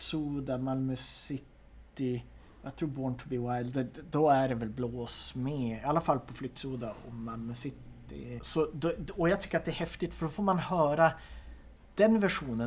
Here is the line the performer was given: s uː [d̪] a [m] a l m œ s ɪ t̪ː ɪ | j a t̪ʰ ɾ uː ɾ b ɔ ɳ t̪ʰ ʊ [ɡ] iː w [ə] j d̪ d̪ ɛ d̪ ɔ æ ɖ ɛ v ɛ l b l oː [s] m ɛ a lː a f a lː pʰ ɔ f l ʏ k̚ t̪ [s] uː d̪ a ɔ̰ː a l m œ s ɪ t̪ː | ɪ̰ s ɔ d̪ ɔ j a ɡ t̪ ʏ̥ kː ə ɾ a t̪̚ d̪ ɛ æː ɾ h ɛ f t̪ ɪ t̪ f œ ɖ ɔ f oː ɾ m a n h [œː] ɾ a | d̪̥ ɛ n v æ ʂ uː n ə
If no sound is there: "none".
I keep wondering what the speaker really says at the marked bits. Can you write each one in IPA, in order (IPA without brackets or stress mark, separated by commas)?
d̪, m, b, a, s, s, œː